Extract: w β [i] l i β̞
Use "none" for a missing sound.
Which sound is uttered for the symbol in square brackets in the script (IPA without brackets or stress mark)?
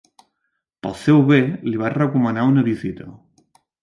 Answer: e